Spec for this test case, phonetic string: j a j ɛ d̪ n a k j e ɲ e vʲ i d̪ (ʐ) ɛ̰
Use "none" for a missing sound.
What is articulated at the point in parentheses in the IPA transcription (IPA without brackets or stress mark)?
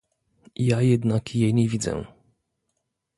z